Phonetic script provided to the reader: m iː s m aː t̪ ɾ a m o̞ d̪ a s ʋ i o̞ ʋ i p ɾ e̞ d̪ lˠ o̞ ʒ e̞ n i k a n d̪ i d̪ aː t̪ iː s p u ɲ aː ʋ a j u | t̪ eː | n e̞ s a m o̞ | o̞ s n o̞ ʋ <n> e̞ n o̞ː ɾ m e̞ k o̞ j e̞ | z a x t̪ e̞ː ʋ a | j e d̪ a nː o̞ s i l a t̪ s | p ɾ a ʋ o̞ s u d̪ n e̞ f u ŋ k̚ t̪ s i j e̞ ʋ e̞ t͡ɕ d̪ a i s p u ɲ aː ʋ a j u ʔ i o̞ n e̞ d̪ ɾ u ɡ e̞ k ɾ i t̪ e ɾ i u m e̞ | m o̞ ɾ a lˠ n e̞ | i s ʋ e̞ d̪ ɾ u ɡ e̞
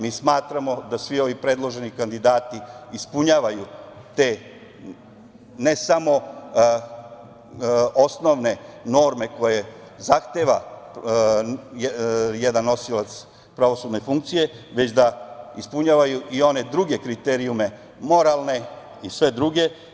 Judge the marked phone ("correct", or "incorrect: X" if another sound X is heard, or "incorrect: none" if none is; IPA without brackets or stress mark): correct